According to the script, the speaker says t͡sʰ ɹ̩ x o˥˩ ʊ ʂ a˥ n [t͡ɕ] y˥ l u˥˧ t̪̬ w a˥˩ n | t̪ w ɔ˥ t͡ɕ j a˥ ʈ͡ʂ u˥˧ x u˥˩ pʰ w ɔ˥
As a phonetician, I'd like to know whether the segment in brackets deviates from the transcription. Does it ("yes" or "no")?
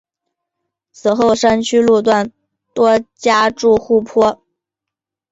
yes